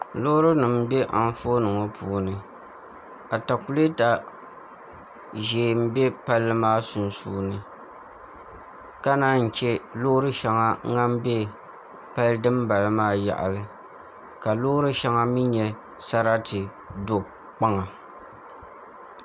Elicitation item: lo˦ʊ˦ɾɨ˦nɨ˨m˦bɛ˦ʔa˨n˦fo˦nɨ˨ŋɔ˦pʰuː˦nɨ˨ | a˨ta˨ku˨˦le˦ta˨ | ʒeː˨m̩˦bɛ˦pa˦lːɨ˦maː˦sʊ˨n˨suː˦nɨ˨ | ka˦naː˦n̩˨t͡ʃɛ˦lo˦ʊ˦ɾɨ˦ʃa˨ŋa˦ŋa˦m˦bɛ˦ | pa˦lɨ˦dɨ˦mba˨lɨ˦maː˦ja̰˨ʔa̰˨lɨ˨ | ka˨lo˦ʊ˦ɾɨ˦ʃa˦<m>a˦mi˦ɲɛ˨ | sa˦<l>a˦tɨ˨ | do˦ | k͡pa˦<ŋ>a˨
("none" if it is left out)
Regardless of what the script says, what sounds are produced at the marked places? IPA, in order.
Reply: ŋ, ɾ, ŋ

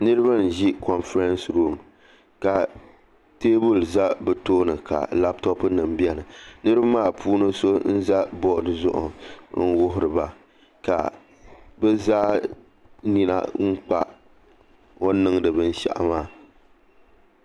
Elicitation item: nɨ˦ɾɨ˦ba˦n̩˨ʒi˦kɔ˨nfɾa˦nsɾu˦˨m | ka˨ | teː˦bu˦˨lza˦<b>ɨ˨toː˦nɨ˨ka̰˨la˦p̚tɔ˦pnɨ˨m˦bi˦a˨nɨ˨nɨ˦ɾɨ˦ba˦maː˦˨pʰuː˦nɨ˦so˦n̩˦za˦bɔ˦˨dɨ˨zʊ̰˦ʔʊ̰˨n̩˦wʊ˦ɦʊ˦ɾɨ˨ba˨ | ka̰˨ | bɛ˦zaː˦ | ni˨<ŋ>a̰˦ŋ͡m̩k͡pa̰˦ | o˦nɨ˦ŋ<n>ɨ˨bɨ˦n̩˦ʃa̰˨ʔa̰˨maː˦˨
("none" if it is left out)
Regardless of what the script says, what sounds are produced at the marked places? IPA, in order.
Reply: b, n, d

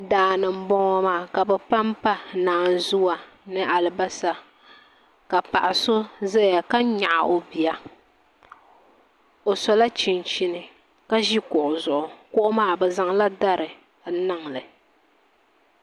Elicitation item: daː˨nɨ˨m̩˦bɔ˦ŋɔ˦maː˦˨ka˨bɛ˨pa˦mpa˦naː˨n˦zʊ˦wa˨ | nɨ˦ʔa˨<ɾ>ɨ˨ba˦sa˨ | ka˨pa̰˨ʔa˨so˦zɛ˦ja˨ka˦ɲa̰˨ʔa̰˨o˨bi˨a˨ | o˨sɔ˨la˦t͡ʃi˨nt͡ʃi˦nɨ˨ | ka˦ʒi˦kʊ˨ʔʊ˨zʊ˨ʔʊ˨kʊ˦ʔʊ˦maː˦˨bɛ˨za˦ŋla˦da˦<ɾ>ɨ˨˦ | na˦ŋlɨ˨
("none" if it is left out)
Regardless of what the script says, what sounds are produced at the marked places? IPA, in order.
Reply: l, ɾ

